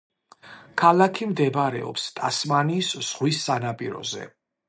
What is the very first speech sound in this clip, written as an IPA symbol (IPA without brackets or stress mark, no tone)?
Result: kʰ